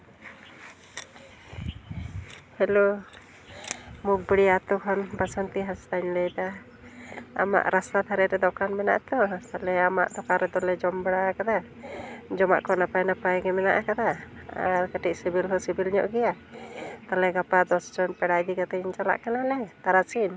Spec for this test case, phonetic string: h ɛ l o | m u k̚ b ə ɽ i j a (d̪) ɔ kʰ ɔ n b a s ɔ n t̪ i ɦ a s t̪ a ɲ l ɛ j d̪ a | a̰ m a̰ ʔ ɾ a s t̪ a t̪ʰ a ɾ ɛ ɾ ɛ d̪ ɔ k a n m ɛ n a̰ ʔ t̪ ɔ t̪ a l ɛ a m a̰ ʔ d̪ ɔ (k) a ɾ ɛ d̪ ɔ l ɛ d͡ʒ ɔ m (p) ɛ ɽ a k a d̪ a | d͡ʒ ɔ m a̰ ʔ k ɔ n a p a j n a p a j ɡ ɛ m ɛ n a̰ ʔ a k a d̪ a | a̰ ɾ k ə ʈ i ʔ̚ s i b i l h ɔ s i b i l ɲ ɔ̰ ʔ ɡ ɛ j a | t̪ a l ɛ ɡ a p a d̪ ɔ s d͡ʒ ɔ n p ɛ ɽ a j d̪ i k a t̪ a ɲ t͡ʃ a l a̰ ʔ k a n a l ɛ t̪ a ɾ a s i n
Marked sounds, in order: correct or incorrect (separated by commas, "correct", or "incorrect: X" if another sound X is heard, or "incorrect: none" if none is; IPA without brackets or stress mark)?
incorrect: t̪, correct, incorrect: b